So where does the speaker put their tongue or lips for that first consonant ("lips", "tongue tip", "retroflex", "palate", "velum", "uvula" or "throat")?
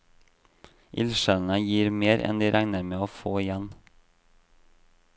throat